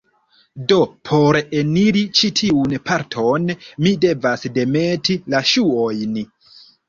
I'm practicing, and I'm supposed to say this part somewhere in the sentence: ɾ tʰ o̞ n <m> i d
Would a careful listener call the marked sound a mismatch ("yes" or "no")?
no